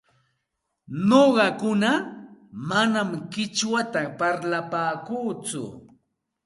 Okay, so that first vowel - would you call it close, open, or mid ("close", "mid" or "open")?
mid